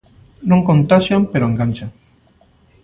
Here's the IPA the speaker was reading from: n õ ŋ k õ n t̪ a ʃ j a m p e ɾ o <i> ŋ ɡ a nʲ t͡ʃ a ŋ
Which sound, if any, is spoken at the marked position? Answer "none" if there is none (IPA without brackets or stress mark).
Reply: e